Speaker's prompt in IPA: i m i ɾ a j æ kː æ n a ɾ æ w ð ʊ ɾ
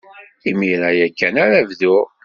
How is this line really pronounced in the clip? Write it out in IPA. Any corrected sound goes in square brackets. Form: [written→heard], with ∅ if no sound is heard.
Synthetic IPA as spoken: i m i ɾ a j æ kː æ n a ɾ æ [w→v] ð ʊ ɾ